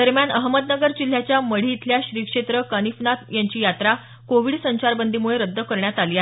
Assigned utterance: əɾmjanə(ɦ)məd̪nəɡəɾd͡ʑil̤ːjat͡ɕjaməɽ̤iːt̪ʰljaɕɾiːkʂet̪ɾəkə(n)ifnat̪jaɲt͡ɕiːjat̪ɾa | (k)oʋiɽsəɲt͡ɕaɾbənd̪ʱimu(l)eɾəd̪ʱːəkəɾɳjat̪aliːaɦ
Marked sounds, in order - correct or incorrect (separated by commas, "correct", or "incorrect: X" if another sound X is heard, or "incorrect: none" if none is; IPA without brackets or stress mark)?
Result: correct, correct, correct, incorrect: ɭ